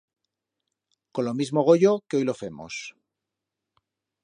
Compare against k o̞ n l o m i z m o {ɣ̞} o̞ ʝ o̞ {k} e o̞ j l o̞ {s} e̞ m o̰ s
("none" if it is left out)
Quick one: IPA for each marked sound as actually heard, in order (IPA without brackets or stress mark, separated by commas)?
ɣ̞, k, f